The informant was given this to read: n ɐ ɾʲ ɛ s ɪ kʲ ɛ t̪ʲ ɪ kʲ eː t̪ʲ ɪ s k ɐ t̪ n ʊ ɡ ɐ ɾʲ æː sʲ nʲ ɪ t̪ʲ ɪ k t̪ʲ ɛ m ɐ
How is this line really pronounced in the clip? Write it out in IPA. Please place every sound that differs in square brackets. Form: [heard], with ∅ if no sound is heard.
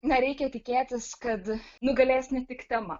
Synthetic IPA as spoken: n ɐ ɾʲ ɛ [∅] ɪ kʲ ɛ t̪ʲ ɪ kʲ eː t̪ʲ ɪ s k ɐ t̪ n ʊ ɡ ɐ [lʲ] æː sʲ nʲ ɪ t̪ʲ ɪ k t̪ʲ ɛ m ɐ

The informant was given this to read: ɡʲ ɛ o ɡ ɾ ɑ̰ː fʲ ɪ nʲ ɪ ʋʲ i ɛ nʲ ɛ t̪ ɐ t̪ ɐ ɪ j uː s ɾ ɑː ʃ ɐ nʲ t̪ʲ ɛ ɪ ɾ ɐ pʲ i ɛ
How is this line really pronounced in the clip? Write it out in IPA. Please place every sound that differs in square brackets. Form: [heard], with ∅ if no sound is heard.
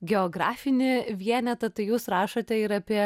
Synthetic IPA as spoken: ɡʲ ɛ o ɡ ɾ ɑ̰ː fʲ ɪ nʲ ɪ ʋʲ i ɛ nʲ ɛ t̪ ɐ t̪ ɐ ɪ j uː s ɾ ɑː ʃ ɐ [∅] t̪ʲ ɛ ɪ ɾ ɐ pʲ i ɛ

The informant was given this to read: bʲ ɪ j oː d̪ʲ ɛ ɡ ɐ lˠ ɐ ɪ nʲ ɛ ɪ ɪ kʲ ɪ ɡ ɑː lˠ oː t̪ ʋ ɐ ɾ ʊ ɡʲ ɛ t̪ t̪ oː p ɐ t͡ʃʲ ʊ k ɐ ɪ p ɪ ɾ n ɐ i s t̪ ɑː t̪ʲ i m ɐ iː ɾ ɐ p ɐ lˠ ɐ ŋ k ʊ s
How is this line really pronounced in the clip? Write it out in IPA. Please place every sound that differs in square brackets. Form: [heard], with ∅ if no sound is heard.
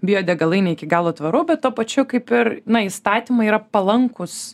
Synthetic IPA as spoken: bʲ ɪ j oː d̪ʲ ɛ ɡ ɐ lˠ ɐ ɪ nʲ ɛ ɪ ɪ kʲ ɪ ɡ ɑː lˠ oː t̪ ʋ ɐ ɾ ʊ [bʲ] ɛ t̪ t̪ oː p ɐ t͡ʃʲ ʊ k ɐ ɪ p ɪ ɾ n ɐ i s t̪ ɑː t̪ʲ i m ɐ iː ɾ ɐ p ɐ lˠ ɐ ŋ k ʊ s

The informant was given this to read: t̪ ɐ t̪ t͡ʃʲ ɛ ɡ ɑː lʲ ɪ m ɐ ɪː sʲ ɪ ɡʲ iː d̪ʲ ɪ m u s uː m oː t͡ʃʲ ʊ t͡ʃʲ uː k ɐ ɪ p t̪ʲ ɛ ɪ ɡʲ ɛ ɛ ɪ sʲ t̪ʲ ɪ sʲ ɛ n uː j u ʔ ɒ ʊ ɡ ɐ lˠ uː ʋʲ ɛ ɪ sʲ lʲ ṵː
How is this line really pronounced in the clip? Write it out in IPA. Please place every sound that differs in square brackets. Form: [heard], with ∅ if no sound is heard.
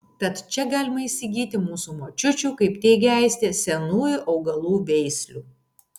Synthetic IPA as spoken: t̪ ɐ t̪ t͡ʃʲ ɛ ɡ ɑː lʲ ɪ m ɐ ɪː sʲ ɪ ɡʲ iː [t̪ʲ] ɪ m [uː] s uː m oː t͡ʃʲ ʊ t͡ʃʲ uː k ɐ ɪ p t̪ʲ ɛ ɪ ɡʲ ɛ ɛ ɪ sʲ t̪ʲ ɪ sʲ ɛ n uː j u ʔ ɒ ʊ ɡ ɐ lˠ uː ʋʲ ɛ ɪ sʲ lʲ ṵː

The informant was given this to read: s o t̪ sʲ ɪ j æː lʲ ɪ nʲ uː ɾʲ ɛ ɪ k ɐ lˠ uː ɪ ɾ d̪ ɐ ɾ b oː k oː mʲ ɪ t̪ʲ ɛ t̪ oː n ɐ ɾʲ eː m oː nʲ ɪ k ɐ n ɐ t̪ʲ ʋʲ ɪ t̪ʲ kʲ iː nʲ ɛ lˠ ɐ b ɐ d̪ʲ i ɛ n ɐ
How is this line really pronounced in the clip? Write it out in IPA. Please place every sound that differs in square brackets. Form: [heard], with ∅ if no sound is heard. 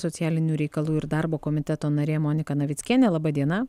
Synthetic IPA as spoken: s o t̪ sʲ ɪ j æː lʲ ɪ nʲ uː ɾʲ ɛ ɪ k ɐ lˠ uː ɪ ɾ d̪ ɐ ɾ b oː k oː mʲ ɪ t̪ʲ ɛ t̪ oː n ɐ ɾʲ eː m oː nʲ ɪ k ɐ n ɐ [∅] ʋʲ ɪ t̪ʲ kʲ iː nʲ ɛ lˠ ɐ b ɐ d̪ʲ i ɛ n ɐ

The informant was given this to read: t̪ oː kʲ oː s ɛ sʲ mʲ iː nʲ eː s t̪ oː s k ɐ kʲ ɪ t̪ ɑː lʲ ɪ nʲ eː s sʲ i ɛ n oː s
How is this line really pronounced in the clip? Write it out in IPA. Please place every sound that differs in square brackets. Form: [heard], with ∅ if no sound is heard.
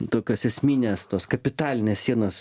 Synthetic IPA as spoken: t̪ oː kʲ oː s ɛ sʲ mʲ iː nʲ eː s t̪ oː s k ɐ [pʲ] ɪ t̪ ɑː lʲ ɪ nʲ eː s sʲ i ɛ n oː s

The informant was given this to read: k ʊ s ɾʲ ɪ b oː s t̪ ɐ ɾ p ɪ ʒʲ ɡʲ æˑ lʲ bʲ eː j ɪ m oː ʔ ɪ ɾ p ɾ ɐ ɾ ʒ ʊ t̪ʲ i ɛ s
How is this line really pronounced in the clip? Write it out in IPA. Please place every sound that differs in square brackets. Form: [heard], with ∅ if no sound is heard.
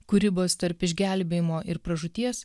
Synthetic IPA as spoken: k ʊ [∅] ɾʲ ɪ b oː s t̪ ɐ ɾ p ɪ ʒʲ ɡʲ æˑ lʲ bʲ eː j ɪ m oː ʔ ɪ ɾ p ɾ ɐ [∅] ʒ ʊ t̪ʲ i ɛ s

